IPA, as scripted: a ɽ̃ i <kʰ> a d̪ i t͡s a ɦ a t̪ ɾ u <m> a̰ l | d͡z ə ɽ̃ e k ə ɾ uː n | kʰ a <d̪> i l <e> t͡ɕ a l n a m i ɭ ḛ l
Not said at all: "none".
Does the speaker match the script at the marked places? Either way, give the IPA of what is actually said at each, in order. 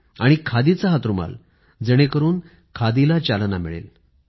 kʰ, m, d̪, a

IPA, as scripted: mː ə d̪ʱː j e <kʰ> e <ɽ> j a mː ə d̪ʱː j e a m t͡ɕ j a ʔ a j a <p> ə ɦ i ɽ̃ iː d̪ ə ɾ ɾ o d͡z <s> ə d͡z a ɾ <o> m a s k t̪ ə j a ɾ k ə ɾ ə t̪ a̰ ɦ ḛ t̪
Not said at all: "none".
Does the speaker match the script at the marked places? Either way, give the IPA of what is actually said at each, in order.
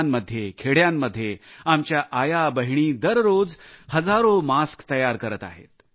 kʰ, ɽ, b, h, o

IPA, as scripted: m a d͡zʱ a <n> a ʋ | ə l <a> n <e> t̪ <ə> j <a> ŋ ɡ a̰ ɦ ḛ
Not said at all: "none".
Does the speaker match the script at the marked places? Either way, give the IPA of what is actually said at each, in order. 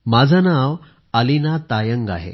n, i, a, a, ə

